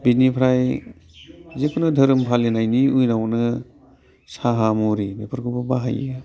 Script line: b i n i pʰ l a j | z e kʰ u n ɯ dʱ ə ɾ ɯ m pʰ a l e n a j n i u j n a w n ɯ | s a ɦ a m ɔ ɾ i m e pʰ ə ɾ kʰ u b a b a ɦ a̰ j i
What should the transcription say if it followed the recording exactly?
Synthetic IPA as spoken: b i n i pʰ ɾ a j | z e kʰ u n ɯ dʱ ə ɾ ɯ m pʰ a l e n a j n i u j n a w n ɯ | s a ɦ a m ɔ ɾ i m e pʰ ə ɾ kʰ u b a b a ɦ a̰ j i